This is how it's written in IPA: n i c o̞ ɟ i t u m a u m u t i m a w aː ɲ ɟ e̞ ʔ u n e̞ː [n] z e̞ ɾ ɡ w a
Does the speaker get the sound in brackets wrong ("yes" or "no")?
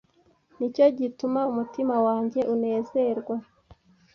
yes